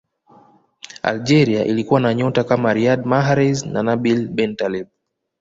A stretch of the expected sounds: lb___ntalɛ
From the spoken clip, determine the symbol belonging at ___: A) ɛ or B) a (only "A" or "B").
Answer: A